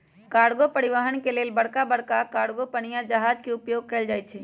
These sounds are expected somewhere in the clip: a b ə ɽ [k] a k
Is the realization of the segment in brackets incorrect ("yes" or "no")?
no